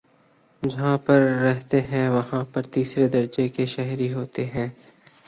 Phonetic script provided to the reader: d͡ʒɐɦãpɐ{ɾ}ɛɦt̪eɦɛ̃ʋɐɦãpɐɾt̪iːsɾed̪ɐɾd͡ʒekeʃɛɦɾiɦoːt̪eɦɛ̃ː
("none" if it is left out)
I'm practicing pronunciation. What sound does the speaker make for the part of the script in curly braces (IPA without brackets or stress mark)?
ɾː